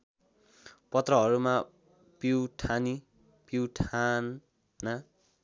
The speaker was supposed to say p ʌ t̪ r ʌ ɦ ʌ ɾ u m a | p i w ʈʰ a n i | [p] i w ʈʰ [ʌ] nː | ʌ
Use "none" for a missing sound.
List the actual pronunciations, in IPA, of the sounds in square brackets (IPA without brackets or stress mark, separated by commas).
p, a